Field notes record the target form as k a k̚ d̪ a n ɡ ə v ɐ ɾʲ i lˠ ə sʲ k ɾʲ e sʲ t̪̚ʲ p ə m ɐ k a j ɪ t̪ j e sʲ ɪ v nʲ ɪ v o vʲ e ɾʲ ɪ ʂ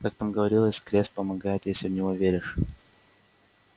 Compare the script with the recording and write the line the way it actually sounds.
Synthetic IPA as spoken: k a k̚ t̪ a m ɡ ə v ɐ ɾʲ i lˠ ə sʲ k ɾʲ e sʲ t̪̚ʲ p ə m ɐ ɡ a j ɪ t̪ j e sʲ ɪ v nʲ ɪ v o vʲ e ɾʲ ɪ ʂ